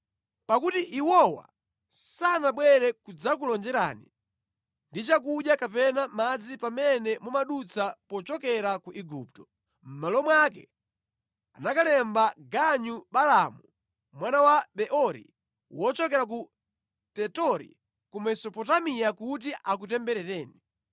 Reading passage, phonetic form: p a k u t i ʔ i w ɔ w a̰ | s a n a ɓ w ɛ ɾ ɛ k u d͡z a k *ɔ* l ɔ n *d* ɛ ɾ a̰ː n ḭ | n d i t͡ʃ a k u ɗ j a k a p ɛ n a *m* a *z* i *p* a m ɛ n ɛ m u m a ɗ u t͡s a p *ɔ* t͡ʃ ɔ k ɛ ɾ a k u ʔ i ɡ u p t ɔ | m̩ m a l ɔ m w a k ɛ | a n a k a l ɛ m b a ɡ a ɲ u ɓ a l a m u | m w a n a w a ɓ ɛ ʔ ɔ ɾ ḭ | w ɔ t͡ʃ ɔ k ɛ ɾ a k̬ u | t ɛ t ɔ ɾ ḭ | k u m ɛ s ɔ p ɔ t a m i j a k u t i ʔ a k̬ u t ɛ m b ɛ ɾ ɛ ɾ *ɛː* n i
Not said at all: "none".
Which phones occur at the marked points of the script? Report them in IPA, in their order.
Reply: u, d͡ʒ, m, d͡z, p, ɔ, ɛː

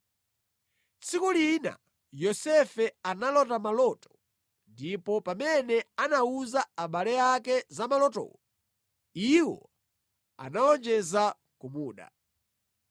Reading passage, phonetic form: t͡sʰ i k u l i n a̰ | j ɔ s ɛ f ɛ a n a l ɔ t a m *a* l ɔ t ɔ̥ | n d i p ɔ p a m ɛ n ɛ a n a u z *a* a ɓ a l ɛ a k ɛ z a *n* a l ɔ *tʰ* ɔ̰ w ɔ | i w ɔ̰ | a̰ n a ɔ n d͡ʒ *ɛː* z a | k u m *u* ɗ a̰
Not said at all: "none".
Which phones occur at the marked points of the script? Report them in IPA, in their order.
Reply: a, a, m, t, ɛ, uː

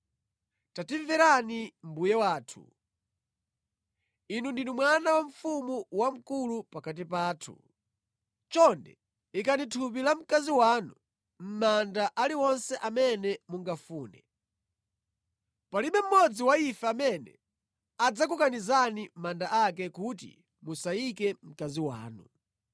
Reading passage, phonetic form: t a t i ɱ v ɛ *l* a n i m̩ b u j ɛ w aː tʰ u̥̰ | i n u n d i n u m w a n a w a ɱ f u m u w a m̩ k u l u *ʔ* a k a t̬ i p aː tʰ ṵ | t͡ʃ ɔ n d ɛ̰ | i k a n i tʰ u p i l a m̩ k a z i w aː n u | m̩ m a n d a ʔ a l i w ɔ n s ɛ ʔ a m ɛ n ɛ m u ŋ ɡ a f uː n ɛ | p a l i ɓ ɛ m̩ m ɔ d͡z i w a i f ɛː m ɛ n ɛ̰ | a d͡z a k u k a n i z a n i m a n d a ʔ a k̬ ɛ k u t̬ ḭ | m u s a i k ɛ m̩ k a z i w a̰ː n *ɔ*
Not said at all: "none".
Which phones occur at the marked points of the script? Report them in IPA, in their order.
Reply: ɾ, p, u

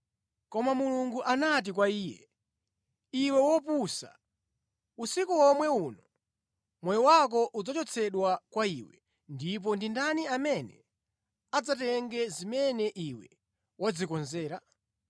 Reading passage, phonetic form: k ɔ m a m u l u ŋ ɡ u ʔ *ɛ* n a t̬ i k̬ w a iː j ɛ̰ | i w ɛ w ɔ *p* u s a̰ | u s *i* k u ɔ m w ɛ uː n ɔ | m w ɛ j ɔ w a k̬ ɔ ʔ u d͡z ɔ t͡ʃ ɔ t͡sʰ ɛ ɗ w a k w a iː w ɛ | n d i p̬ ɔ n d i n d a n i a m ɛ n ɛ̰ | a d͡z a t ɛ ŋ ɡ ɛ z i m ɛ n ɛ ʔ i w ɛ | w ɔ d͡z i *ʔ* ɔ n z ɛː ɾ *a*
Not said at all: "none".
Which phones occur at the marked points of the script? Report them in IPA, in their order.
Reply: a, p, i, k, a

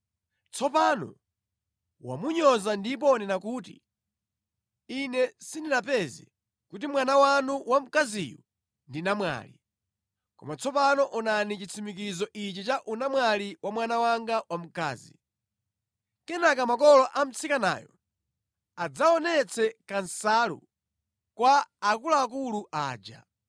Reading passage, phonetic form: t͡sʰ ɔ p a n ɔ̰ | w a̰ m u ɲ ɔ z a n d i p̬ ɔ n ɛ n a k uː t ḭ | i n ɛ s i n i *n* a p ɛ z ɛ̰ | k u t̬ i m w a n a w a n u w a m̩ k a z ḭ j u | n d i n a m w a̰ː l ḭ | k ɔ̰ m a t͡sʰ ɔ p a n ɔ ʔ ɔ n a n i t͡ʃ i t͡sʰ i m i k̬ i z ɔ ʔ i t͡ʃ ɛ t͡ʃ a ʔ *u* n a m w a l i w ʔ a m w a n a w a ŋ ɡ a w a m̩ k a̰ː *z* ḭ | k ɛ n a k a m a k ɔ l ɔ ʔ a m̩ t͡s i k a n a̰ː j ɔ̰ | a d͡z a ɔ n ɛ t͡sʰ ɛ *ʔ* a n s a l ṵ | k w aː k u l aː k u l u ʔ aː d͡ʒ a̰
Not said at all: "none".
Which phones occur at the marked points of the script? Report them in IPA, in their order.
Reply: n, u, z, k

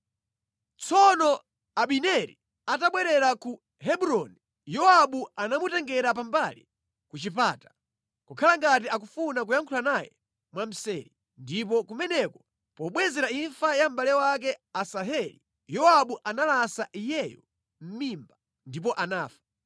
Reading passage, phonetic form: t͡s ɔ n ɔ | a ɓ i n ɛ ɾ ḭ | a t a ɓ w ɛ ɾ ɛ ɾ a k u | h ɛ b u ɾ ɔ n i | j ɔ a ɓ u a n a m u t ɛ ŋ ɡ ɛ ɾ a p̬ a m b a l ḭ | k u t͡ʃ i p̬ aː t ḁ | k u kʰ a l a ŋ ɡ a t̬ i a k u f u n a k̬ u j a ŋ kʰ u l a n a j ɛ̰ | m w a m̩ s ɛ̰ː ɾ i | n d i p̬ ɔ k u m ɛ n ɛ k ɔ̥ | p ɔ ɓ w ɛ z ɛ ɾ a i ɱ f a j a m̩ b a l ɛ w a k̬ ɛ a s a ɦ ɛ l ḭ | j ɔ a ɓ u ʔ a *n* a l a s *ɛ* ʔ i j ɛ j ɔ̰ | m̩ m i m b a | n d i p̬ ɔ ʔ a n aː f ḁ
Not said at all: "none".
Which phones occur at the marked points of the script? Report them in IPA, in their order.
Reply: n, a

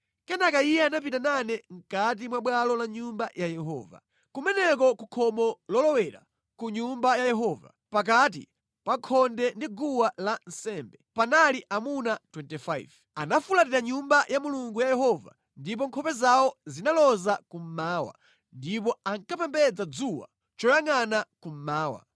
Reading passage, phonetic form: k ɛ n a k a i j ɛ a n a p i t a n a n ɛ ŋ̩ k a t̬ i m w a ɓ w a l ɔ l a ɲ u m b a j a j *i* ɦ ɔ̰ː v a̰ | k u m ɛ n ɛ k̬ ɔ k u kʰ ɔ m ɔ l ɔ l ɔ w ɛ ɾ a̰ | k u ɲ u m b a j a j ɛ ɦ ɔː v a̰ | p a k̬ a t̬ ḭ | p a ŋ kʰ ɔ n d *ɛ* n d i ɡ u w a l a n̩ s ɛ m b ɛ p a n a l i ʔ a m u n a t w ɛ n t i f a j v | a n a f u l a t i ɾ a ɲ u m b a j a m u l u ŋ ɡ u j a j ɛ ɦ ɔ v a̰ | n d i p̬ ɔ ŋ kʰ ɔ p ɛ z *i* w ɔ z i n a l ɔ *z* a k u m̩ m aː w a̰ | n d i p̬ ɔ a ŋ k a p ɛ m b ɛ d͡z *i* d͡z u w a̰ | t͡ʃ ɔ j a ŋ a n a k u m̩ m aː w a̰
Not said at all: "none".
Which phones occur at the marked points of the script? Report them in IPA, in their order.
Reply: ɛ, ɛ, a, z, a

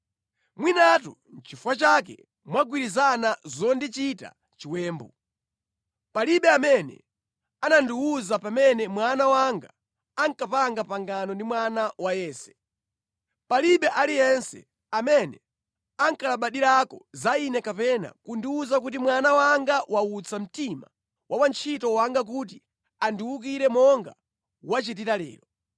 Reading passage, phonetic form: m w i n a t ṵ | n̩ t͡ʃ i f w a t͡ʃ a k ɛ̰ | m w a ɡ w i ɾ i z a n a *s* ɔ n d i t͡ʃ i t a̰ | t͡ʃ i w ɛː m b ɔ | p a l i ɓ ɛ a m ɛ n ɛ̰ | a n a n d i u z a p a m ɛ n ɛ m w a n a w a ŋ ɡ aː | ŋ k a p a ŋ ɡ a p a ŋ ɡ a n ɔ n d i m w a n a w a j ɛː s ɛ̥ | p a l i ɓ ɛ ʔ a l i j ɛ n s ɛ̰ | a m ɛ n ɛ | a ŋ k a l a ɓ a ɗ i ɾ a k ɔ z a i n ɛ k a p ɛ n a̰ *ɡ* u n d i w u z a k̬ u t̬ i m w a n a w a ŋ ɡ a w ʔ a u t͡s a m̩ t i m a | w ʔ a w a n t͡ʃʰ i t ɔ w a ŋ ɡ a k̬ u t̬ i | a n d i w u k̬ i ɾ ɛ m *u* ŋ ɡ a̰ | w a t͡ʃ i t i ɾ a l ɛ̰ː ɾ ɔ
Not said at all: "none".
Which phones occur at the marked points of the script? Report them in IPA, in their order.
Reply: z, k, ɔ

